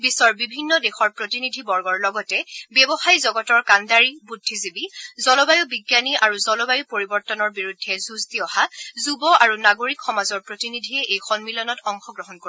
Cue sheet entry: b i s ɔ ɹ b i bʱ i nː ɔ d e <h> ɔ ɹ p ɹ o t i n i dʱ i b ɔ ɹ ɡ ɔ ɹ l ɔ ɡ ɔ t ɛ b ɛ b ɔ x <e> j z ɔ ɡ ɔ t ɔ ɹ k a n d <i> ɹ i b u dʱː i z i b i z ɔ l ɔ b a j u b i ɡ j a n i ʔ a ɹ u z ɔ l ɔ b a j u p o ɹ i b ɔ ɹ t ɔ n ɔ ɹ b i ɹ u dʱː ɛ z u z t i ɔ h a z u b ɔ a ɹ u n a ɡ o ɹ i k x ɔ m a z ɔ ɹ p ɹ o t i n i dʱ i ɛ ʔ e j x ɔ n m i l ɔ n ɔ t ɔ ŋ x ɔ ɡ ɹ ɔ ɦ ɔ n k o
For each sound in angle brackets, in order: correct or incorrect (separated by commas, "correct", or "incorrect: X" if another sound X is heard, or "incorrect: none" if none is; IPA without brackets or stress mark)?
incorrect: x, incorrect: a, incorrect: a